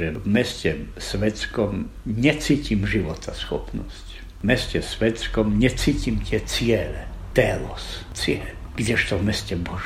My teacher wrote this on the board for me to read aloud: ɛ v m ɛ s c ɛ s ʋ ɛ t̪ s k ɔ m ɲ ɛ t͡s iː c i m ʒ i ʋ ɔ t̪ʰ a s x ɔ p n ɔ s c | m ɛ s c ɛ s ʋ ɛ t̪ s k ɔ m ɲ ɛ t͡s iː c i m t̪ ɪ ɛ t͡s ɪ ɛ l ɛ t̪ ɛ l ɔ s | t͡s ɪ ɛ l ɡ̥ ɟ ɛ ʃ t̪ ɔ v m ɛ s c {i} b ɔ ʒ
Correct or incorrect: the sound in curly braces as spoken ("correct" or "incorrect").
incorrect